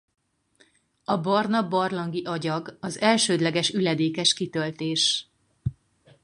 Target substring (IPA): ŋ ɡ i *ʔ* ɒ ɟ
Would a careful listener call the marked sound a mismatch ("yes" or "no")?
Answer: no